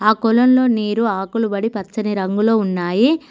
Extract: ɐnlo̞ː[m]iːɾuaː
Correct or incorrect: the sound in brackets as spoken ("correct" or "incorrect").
incorrect